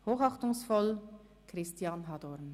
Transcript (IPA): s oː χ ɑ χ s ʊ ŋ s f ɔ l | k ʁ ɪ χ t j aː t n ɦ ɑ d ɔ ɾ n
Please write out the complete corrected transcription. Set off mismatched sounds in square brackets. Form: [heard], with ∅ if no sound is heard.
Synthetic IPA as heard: [h] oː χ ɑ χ [t] ʊ ŋ s f ɔ l | k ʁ ɪ [s] t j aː [∅] n ɦ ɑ d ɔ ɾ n